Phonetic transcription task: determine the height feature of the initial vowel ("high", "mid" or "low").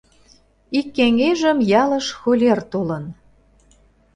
high